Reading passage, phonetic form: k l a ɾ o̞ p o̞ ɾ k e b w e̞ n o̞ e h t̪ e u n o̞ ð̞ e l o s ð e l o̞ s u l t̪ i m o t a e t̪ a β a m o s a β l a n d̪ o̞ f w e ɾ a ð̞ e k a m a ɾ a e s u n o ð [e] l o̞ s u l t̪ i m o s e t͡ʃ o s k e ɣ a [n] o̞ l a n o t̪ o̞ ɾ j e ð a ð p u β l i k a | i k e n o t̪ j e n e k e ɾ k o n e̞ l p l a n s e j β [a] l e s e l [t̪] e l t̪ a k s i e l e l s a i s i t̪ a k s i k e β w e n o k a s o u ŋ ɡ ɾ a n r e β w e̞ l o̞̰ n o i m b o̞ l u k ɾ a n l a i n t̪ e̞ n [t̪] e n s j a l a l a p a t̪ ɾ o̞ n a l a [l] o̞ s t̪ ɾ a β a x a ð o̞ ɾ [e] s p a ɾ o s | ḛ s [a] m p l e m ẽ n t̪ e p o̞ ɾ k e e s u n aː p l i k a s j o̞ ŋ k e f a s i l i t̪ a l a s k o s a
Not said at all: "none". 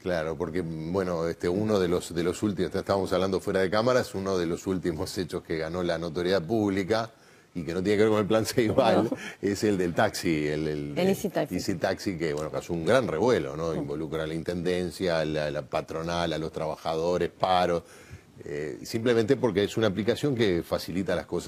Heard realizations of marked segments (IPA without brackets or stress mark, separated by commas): e, n, a, d̪, d̪, l, e, i